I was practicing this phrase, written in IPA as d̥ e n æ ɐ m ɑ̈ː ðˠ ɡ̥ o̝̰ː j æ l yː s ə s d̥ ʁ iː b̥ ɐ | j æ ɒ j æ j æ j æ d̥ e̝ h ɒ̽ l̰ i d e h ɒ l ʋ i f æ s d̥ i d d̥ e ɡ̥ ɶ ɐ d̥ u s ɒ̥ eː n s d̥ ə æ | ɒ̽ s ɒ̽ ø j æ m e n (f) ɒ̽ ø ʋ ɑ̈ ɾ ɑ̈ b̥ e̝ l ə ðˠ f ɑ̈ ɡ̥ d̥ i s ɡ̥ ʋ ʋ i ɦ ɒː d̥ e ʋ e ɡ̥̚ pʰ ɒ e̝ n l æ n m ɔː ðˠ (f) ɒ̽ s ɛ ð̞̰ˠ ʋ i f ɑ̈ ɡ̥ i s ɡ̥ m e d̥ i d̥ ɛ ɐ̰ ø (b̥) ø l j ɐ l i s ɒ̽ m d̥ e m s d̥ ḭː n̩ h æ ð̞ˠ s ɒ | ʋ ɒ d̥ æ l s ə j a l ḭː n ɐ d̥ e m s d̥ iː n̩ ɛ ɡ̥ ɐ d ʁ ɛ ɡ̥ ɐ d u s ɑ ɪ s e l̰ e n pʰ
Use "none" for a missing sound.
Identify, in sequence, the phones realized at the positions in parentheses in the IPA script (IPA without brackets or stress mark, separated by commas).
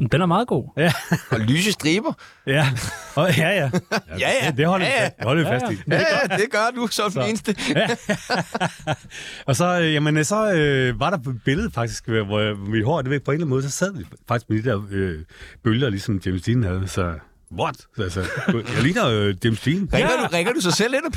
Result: s, s, b̥